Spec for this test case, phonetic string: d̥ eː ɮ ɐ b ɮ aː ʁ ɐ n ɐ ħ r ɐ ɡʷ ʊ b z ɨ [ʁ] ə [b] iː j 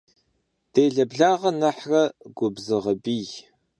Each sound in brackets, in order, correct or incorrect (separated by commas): correct, correct